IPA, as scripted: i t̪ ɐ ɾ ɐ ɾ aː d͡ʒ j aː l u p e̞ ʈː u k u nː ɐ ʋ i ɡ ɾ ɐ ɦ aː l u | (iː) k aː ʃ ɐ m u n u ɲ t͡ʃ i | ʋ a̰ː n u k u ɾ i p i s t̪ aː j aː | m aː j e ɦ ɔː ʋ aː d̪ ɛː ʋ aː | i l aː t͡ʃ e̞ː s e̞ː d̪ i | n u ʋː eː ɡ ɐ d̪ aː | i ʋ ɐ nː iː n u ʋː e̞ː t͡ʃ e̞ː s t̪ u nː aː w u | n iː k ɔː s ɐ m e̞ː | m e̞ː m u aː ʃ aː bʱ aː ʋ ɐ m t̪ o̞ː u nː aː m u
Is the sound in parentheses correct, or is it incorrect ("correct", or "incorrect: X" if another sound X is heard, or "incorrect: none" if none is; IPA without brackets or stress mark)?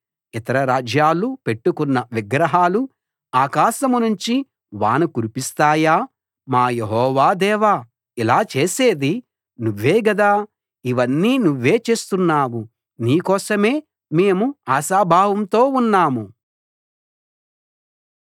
incorrect: aː